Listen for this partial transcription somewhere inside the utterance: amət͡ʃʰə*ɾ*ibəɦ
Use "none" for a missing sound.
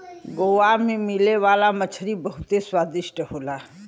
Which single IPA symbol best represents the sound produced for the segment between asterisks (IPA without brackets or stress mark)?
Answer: ɾ